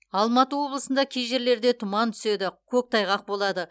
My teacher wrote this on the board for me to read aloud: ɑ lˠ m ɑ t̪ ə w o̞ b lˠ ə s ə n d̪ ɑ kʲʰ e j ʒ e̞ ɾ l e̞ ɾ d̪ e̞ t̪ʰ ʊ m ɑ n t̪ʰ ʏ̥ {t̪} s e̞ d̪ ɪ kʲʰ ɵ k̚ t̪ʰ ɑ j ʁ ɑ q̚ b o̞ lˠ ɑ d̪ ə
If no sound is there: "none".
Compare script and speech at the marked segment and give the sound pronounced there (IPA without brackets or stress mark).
none